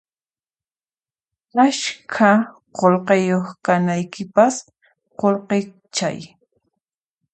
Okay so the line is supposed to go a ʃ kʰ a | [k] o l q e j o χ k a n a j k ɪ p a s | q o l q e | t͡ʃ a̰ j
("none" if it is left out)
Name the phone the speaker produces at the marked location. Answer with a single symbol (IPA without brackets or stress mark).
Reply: q